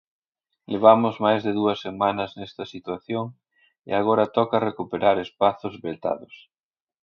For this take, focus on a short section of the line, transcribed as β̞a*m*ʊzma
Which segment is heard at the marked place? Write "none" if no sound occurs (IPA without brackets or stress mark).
m